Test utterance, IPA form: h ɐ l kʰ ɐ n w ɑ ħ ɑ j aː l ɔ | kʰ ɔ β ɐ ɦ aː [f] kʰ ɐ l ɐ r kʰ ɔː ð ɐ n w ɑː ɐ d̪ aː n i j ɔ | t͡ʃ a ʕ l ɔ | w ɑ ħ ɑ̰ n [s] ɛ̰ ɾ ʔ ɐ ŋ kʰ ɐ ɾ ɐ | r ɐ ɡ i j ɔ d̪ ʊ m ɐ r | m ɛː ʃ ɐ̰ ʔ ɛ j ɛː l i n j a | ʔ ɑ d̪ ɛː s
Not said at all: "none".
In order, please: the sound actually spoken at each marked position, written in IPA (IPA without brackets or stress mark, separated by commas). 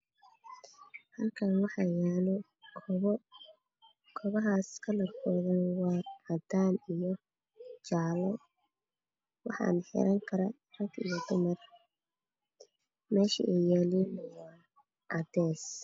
s, ħ